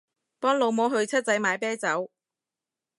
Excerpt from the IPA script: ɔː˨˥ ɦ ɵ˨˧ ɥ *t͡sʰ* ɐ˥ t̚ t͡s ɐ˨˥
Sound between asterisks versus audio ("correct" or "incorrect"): correct